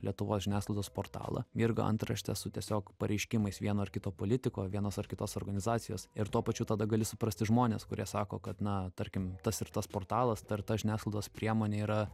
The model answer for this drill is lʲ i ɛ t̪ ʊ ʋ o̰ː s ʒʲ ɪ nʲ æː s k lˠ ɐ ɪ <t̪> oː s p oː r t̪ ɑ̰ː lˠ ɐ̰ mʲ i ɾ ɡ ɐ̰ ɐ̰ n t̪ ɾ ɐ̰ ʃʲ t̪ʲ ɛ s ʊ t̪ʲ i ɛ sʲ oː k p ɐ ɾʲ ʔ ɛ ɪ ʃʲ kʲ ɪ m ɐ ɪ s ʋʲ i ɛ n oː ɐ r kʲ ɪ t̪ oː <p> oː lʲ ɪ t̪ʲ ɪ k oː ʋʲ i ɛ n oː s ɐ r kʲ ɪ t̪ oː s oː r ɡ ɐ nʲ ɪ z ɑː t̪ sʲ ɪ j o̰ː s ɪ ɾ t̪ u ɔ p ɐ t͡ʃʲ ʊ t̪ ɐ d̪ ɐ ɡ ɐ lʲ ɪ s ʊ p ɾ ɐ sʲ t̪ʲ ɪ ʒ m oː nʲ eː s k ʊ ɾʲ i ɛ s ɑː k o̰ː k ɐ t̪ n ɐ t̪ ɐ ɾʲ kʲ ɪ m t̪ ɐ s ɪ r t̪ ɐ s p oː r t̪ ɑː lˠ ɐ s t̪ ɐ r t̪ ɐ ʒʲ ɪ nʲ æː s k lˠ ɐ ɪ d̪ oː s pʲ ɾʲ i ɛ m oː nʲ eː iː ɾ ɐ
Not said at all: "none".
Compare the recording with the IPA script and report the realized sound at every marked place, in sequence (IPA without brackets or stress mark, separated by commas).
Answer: d̪, p